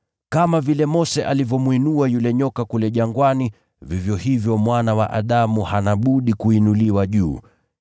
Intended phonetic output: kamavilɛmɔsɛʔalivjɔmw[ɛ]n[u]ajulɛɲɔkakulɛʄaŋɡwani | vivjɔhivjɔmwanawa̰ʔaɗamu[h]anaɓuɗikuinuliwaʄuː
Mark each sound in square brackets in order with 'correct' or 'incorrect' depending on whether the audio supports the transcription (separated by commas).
incorrect, correct, correct